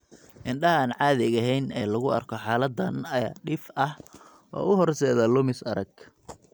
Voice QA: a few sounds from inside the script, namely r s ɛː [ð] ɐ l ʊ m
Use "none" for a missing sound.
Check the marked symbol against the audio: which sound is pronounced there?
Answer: ð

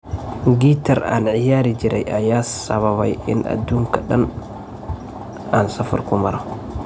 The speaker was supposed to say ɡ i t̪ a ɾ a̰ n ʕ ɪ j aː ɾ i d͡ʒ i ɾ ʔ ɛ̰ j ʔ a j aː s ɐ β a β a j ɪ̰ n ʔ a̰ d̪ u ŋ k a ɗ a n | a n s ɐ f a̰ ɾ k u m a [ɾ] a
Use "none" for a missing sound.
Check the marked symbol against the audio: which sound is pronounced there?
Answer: ɾ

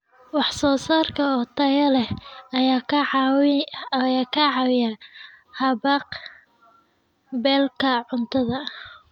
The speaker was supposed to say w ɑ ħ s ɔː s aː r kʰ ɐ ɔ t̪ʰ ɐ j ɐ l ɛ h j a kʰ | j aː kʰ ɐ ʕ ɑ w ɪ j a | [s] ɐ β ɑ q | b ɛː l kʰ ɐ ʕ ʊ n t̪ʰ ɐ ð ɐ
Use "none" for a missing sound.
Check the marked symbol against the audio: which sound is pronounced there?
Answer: h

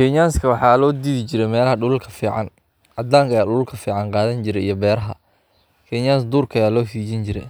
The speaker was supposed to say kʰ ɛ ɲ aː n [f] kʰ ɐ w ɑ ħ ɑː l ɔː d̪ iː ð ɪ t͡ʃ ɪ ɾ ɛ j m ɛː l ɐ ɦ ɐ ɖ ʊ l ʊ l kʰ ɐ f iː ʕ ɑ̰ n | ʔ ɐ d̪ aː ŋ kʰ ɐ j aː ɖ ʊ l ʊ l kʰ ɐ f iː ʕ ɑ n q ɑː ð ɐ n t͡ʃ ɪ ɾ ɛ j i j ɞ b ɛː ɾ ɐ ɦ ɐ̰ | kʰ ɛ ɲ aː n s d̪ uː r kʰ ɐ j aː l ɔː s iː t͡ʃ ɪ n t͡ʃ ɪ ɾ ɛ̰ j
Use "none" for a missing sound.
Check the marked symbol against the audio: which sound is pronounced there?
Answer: s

